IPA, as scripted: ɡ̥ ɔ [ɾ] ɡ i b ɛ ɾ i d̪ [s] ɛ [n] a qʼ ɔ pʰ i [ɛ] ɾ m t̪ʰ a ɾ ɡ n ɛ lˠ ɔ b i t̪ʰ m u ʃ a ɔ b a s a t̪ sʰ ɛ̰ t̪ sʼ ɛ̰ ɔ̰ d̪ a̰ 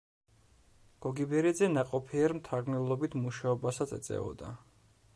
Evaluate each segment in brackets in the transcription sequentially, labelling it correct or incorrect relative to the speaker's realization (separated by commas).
incorrect, incorrect, correct, correct